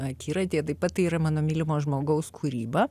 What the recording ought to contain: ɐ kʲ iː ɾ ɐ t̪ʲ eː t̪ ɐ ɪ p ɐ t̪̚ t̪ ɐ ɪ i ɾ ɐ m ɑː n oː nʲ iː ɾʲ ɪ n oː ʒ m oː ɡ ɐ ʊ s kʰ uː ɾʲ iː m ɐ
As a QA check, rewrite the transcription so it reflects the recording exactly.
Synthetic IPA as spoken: ɐ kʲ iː ɾ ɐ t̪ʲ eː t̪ ɐ ɪ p ɐ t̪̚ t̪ ɐ ɪ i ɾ ɐ m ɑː n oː mʲ iː lʲ ɪ m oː ʒ m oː ɡ ɐ ʊ s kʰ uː ɾʲ iː b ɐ